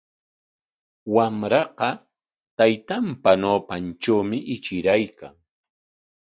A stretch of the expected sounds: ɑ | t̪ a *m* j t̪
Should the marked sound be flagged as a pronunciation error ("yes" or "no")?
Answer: yes